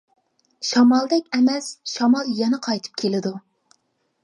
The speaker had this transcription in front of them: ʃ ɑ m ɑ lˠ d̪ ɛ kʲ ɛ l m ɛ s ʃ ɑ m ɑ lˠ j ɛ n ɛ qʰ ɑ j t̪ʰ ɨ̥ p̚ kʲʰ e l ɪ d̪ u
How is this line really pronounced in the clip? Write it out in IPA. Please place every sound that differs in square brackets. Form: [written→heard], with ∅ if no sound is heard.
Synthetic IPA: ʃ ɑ m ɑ lˠ d̪ ɛ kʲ ɛ [l→∅] m ɛ s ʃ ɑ m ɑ lˠ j ɛ n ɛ qʰ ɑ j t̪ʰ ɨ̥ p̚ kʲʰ e l ɪ d̪ u